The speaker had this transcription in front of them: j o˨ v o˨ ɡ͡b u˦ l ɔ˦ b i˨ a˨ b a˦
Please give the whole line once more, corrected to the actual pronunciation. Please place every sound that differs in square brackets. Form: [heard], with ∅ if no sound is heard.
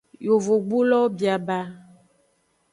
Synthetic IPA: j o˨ v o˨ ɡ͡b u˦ l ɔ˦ b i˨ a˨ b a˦